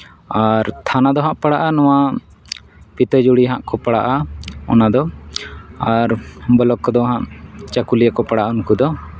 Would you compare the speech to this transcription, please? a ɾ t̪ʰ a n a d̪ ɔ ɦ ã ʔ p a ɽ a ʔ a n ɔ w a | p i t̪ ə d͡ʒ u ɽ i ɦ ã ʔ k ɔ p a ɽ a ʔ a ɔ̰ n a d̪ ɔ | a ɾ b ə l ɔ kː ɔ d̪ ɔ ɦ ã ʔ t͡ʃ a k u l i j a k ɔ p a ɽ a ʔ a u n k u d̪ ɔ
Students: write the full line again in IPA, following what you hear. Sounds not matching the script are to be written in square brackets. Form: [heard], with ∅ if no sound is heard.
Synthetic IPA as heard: a ɾ t̪ʰ a n a d̪ ɔ ɦ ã ʔ p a ɽ a ʔ a n ɔ w a | p i t̪ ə d͡ʒ u ɽ i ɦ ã ʔ k ɔ p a ɽ a ʔ a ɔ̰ n a d̪ ɔ | a ɾ b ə l ɔ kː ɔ d̪ ɔ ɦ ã ʔ t͡ʃ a k u l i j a k ɔ p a ɽ a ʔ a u n k u d̪ ɔ